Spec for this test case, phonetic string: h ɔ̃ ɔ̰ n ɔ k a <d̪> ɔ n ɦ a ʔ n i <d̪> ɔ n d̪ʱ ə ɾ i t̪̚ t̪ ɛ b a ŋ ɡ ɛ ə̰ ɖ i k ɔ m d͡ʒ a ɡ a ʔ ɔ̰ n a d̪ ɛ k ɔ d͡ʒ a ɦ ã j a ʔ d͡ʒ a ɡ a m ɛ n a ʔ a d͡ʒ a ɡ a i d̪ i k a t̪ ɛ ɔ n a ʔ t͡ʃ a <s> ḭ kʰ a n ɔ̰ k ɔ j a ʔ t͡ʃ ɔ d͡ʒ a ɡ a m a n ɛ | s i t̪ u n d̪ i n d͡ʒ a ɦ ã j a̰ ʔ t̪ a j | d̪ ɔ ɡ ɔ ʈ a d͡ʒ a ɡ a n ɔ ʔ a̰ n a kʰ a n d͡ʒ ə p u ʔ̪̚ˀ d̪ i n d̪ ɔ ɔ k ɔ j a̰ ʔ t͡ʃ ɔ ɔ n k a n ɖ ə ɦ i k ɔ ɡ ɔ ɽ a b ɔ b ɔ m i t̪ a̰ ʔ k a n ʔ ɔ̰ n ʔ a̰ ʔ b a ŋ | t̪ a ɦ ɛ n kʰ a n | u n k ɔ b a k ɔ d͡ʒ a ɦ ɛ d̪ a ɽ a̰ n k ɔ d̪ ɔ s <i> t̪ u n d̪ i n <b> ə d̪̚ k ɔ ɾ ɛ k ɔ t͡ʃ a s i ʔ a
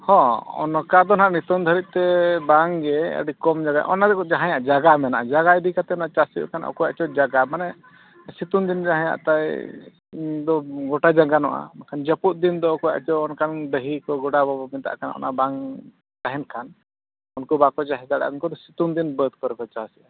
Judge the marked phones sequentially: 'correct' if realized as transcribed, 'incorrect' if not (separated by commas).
correct, incorrect, correct, correct, correct